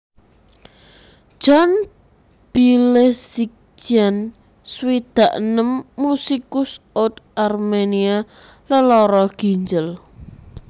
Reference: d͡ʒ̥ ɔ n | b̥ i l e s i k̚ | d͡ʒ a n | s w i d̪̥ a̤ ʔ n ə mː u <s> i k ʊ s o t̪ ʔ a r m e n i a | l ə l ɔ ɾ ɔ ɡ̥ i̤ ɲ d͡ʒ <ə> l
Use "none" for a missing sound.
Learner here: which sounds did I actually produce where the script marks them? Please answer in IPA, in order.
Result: s, ə

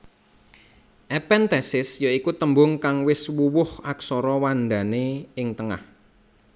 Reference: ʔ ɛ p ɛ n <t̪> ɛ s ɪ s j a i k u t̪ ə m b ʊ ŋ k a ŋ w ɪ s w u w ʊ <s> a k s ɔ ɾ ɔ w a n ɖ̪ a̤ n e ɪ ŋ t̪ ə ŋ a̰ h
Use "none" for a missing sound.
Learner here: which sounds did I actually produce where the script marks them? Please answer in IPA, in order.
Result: t̪, h

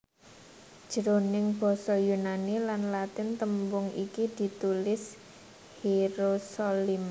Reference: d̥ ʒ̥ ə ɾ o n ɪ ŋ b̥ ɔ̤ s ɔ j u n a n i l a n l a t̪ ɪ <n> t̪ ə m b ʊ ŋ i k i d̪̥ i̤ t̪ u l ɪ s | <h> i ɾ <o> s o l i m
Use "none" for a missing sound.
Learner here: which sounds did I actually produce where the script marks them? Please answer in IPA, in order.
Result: n, h, o

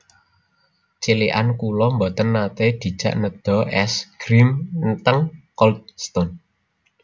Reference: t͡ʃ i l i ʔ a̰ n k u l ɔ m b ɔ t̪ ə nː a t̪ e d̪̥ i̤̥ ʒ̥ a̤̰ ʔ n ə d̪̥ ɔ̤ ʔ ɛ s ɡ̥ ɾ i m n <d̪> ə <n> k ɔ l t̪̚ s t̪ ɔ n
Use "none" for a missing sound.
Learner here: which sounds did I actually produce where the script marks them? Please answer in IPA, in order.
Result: t̪, ŋ

